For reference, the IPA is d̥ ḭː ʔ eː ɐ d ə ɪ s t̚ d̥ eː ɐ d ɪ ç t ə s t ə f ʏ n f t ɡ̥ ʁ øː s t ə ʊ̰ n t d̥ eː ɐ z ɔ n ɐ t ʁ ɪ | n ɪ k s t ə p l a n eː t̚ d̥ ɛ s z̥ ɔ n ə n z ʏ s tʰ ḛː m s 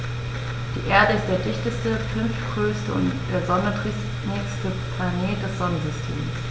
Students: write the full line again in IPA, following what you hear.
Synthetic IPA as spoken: d̥ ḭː ʔ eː ɐ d ə ɪ s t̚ d̥ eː ɐ d ɪ ç t ə s t ə f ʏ n f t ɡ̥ ʁ øː s t ə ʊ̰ n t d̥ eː ɐ z ɔ n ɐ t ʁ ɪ | n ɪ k s t ə p l a n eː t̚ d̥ ɛ s z̥ ɔ n ə n z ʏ s tʰ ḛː m s